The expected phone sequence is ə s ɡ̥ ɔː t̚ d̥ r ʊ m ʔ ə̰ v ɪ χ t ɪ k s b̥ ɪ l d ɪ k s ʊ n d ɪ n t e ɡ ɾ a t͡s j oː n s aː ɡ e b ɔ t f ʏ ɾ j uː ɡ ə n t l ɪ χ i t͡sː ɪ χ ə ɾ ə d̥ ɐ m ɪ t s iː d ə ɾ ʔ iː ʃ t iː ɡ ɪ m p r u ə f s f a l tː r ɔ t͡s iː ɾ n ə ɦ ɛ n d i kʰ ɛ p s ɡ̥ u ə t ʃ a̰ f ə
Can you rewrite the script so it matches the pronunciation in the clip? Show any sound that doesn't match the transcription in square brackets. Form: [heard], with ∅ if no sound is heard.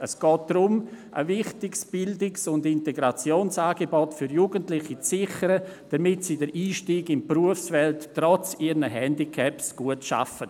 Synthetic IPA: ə s ɡ̥ ɔː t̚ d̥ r ʊ m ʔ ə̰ v ɪ χ t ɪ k s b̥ ɪ l d ɪ k s ʊ n d ɪ n t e ɡ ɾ a t͡s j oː n s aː ɡ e b ɔ t f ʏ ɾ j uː ɡ ə n t l ɪ χ i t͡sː ɪ χ ə ɾ ə d̥ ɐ m ɪ t s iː d ə ɾ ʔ iː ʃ t iː ɡ ɪ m p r u ə f s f [ɛ] l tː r ɔ t͡s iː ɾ n ə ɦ ɛ n d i kʰ ɛ p s ɡ̥ u ə t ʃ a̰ f ə

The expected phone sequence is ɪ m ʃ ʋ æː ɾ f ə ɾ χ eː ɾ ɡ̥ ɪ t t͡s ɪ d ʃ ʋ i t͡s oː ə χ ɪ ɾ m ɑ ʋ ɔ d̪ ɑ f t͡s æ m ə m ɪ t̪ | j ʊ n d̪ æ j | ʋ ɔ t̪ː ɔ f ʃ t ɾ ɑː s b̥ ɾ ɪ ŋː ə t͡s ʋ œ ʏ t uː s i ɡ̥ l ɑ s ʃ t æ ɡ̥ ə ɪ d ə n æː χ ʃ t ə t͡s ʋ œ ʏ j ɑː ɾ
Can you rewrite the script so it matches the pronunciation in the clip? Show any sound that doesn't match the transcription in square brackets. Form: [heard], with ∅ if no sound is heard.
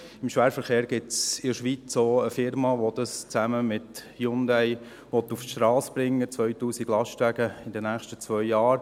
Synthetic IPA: ɪ m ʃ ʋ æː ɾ f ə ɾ χ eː ɾ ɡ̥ ɪ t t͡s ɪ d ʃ ʋ i t͡s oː ə [f] ɪ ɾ m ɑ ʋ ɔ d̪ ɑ [s] t͡s æ m ə m ɪ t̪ | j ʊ n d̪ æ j | ʋ ɔ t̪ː [u] f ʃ t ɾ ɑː s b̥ ɾ ɪ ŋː ə t͡s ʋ œ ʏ t uː s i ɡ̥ l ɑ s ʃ t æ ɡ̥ ə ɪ d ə n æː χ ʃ t ə t͡s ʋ œ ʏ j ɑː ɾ

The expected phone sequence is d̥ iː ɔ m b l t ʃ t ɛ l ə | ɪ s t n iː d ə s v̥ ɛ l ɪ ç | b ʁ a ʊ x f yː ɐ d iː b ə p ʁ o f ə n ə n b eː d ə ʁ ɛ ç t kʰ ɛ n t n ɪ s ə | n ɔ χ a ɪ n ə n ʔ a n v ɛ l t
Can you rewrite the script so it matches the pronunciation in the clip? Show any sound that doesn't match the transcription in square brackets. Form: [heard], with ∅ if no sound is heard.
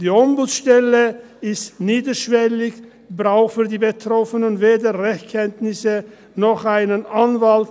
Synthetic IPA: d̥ iː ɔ m b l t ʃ t ɛ l ə | ɪ s t n iː d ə [ʃ] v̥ ɛ l ɪ ç | b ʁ a ʊ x f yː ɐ d iː b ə [t] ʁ [ɔ] f ə n ə n [v] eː d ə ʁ ɛ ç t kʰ ɛ n t n ɪ s ə | n ɔ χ a ɪ n ə n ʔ a n v [a] l t

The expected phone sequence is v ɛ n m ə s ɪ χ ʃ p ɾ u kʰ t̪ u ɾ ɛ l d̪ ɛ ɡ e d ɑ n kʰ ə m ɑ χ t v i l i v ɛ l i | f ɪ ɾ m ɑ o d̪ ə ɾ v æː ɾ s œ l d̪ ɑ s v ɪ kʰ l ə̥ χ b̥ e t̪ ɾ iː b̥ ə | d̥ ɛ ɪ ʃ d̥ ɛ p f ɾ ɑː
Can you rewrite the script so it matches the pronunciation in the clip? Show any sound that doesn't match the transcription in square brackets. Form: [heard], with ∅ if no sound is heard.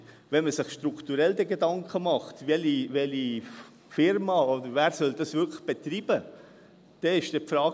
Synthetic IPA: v ɛ n m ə s ɪ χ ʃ [t] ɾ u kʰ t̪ u ɾ ɛ l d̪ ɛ ɡ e d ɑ [ŋ] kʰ ə m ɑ χ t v [ɛ] l i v ɛ l i | f ɪ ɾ m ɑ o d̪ ə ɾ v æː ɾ s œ l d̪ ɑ s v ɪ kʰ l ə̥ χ b̥ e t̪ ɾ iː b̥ ə | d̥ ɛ ɪ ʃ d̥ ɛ p f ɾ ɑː

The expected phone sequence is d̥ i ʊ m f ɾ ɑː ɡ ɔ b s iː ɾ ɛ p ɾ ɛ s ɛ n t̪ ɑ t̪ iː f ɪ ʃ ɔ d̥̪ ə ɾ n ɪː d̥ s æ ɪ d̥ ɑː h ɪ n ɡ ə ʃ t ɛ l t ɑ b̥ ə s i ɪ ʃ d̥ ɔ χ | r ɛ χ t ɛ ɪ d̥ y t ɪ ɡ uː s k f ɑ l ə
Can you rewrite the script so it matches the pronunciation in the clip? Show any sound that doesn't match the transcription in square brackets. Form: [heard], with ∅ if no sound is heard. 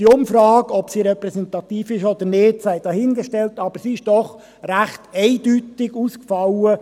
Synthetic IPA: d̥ i ʊ m f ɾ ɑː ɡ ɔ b s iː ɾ ɛ p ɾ ɛ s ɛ n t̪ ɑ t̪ iː f ɪ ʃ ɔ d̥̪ ə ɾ n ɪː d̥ s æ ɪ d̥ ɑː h ɪ n ɡ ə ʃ t ɛ l t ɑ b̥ ə s i ɪ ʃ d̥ ɔ χ | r [æ] χ t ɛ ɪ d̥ y t ɪ ɡ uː s k f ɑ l ə

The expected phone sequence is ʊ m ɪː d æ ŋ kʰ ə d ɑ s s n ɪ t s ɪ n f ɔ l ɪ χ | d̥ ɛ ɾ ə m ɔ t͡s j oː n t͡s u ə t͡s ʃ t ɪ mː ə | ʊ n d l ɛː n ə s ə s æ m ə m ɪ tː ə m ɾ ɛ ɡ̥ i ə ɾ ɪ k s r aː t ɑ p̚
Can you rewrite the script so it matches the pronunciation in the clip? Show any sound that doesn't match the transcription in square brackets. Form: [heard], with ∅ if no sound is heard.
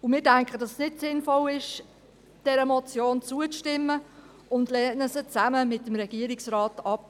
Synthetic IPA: ʊ m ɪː d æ ŋ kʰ ə d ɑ s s n ɪ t s ɪ n f ɔ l ɪ [ʃ] | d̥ ɛ ɾ ə m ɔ t͡s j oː n t͡s u ə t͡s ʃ t ɪ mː ə | ʊ n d l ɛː n ə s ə [t͡s] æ m ə m ɪ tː ə m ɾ ɛ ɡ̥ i ə ɾ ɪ k s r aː t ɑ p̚

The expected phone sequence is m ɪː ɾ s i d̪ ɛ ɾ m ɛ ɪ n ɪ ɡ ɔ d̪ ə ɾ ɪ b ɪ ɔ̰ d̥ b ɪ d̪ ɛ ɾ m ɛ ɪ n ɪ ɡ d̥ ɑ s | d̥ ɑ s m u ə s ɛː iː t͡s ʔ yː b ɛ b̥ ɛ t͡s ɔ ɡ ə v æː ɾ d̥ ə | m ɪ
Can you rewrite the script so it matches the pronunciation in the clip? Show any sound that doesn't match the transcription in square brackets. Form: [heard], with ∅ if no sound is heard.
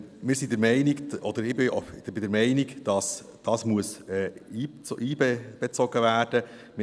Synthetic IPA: m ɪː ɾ s i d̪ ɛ ɾ m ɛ ɪ n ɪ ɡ ɔ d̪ ə ɾ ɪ b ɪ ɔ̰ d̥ b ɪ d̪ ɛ ɾ m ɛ ɪ n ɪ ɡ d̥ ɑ s | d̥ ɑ s m u ə s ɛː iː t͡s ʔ [iː] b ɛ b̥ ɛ t͡s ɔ ɡ ə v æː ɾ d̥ ə | m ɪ

